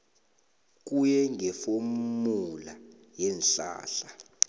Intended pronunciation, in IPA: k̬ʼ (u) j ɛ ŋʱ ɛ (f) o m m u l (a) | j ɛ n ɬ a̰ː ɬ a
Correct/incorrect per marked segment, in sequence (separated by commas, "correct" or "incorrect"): correct, correct, correct